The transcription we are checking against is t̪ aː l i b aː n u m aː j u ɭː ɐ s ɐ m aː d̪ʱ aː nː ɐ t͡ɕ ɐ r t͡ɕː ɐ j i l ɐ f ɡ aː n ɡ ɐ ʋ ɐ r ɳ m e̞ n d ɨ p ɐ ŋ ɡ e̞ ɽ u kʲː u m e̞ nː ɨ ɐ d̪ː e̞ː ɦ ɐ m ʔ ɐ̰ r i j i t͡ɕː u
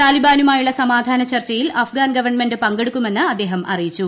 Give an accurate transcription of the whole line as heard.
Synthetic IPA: t̪ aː l i b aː n u m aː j u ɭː ɐ s ɐ m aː d̪ʱ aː n ɐ t͡ɕ ɐ r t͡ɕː ɐ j i l ɐ f ɡ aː n ɡ ɐ ʋ ɐ r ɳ m e̞ n d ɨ p ɐ ŋ ɡ e̞ ɽ u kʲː u m e̞ nː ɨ ɐ d̪ː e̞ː ɦ ɐ m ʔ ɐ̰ r i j i t͡ɕː u